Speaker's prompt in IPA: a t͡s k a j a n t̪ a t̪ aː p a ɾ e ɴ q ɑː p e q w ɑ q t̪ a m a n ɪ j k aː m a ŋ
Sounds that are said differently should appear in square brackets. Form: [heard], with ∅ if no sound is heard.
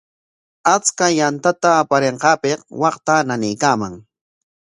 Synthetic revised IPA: a t͡s k a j a n t̪ a t̪ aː p a ɾ e ɴ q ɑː p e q w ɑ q t̪ a [n] a n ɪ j k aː m a ŋ